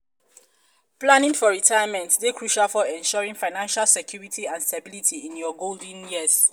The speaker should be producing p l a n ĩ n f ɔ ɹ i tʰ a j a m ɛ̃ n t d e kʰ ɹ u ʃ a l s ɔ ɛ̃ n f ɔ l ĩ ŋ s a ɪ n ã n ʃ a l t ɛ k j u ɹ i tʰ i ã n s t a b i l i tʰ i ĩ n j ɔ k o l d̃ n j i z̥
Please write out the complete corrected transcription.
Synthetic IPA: p l a n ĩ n f ɔ ɹ i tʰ a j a m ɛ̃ n t d e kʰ ɹ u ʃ a l f ɔ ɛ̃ n ʃ ɔ ɹ ĩ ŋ f a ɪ n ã n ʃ a l s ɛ k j u ɹ i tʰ i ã n s t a b i l i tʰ i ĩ n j ɔ ɡ o l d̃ n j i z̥